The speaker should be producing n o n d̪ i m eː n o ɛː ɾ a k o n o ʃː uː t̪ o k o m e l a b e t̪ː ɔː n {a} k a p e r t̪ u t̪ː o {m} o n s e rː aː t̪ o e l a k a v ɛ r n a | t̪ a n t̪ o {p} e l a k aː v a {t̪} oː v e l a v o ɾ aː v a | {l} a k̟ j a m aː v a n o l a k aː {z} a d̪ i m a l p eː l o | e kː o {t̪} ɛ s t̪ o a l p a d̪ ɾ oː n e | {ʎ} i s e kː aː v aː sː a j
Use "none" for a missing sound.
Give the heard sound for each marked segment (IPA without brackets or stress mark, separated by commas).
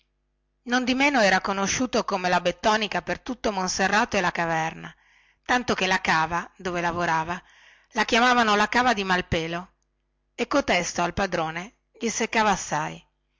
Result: i, m, k, d̪, l, v, t̪, ʎ